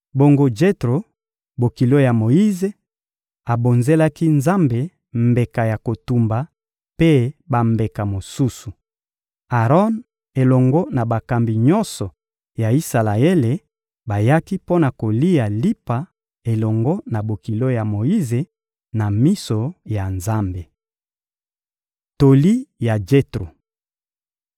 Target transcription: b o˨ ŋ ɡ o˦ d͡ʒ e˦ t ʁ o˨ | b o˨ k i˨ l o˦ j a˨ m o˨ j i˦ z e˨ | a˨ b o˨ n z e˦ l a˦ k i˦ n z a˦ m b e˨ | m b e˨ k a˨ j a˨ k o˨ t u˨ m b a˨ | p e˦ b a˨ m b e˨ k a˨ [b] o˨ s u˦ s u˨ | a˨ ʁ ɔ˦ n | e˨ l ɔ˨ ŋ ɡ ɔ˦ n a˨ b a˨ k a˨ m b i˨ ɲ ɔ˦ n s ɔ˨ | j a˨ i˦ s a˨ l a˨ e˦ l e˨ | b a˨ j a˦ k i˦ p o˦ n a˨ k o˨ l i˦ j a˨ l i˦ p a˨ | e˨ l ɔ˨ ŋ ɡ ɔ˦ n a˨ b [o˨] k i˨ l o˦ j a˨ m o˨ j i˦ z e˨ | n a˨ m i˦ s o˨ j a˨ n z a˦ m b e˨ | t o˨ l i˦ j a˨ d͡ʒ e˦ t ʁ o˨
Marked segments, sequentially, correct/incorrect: incorrect: m, correct

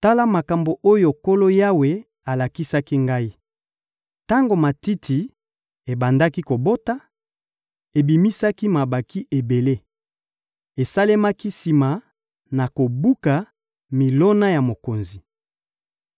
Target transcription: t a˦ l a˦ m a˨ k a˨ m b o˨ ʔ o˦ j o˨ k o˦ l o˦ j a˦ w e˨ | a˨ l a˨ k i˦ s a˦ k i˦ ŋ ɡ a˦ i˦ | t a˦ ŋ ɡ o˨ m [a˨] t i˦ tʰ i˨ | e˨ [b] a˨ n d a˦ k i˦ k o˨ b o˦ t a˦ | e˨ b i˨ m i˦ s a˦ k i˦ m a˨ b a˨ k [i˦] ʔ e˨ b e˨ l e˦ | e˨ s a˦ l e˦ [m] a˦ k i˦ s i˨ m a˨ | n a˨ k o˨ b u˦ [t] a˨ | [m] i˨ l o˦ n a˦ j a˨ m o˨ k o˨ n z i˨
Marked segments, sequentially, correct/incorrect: correct, correct, correct, correct, incorrect: k, correct

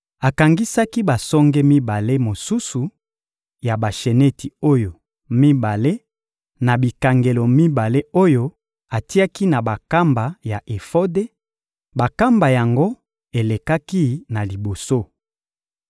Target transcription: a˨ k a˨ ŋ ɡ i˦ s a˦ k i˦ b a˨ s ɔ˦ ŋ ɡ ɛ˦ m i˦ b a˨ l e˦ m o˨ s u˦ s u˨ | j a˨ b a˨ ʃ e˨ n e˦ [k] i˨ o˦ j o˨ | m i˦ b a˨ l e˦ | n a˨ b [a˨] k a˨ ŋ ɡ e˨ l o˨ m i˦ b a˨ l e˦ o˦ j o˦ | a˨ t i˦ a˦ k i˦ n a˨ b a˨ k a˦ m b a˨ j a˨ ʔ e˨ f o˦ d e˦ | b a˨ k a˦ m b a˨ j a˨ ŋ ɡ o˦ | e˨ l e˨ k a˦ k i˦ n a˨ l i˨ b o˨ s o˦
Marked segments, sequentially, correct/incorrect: incorrect: t, incorrect: i˨

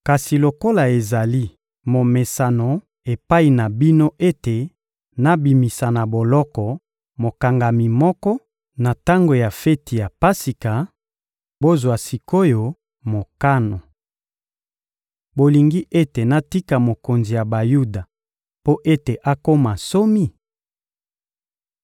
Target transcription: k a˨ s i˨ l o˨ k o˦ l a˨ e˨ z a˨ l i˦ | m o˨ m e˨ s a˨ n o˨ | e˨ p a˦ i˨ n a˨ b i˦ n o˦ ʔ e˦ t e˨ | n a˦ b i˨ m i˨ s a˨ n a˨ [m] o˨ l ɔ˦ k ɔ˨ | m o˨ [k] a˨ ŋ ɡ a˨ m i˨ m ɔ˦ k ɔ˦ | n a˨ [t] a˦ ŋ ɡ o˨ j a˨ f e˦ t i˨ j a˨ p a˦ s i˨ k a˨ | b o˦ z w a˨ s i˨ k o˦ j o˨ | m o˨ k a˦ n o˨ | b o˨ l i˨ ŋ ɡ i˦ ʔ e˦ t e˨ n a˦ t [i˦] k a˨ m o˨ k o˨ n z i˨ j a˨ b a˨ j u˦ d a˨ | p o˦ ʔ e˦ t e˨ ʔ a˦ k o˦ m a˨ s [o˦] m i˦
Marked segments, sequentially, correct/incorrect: incorrect: b, correct, correct, correct, correct

